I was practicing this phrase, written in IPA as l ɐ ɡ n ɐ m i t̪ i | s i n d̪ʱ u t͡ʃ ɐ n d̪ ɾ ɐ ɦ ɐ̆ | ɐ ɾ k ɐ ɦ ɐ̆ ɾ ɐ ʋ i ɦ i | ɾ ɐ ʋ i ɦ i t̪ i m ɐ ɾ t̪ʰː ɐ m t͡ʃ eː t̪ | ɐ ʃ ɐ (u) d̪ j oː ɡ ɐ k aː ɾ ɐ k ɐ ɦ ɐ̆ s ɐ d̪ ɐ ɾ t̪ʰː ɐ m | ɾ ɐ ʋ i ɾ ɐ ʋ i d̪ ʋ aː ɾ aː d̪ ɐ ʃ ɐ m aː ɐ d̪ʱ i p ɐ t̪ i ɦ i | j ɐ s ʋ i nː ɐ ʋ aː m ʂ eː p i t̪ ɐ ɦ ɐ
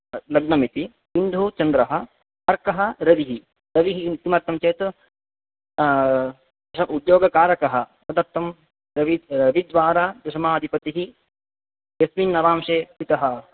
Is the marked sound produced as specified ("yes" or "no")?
yes